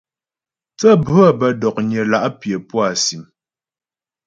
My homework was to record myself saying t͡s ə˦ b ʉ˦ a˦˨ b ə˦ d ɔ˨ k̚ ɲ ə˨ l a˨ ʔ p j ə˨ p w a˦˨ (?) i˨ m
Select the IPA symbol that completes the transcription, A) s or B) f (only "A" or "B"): A